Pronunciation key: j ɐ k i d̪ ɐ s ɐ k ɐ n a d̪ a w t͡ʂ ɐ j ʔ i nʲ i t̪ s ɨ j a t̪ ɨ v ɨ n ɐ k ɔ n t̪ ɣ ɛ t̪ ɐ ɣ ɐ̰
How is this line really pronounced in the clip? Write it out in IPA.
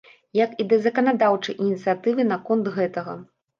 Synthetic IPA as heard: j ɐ k i d̪ ɐ z ɐ k ɐ n a d̪ a w t͡ʂ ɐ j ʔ i nʲ i t̪ s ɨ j a t̪ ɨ v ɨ n ɐ k ɔ n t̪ ɣ ɛ t̪ ɐ ɣ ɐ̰